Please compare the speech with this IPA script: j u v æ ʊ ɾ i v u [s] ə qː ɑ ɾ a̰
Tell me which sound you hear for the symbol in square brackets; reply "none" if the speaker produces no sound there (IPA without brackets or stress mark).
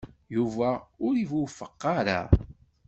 f